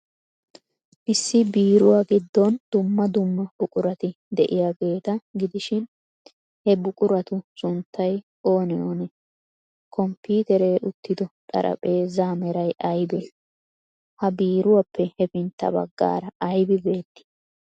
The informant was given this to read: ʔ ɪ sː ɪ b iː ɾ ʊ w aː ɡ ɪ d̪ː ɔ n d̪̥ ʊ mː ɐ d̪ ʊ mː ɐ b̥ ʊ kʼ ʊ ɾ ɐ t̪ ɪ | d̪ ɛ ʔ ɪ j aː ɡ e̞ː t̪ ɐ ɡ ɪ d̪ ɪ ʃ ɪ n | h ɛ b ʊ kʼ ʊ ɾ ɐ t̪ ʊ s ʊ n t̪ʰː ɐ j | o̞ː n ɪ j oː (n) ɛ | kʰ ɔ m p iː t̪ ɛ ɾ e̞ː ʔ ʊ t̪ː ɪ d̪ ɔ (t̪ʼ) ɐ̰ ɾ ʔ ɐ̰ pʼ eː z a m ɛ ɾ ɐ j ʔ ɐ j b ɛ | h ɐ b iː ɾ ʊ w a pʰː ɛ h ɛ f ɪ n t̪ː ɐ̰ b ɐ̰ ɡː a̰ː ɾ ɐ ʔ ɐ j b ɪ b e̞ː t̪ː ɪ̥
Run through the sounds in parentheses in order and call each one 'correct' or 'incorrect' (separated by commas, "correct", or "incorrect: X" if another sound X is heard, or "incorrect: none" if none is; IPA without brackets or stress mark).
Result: correct, correct